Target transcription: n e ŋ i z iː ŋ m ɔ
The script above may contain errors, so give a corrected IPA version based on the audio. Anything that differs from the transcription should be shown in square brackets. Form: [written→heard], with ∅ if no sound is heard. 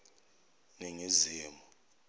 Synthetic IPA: n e ŋ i z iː [ŋ→∅] m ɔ